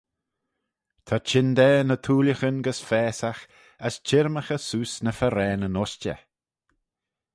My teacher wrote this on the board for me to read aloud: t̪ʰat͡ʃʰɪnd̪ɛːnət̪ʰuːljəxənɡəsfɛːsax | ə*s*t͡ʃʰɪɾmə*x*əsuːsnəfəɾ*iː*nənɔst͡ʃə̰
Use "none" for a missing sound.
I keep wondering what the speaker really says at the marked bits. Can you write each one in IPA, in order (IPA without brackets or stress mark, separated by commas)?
s, x, ɛː